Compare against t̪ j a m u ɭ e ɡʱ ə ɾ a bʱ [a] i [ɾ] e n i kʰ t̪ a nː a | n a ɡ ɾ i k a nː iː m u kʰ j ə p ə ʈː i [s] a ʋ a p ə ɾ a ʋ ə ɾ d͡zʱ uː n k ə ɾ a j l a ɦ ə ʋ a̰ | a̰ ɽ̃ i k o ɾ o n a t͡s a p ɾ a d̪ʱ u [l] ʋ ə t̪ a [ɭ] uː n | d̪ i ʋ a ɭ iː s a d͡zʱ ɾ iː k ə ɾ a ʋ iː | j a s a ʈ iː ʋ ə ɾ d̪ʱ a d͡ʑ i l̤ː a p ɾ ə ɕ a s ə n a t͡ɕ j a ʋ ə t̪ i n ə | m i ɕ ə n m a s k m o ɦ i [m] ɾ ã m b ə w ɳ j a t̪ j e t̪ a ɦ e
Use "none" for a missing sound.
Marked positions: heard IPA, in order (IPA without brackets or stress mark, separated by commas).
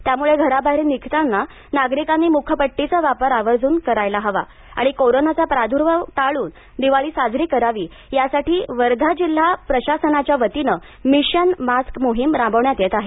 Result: a, ɾ, t͡s, ɾ, ɭ, m